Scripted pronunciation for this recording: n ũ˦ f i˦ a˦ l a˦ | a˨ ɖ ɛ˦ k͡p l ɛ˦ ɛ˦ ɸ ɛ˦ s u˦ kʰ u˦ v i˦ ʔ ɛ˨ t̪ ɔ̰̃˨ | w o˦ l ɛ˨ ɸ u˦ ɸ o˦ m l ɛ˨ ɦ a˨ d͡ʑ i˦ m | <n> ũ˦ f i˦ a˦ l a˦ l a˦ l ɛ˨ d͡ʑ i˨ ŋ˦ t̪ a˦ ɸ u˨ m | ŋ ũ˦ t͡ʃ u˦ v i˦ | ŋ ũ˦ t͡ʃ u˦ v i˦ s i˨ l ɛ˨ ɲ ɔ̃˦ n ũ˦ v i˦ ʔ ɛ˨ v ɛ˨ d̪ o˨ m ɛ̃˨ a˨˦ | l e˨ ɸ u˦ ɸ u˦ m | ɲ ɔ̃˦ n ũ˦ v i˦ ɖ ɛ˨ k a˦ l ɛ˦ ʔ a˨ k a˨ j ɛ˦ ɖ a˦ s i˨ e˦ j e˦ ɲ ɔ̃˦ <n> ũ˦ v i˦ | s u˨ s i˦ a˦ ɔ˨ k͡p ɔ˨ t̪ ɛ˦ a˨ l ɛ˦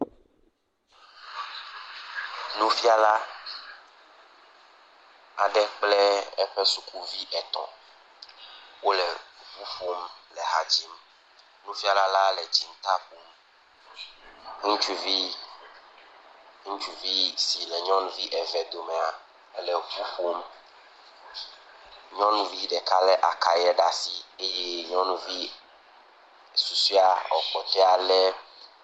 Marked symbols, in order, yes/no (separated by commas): yes, yes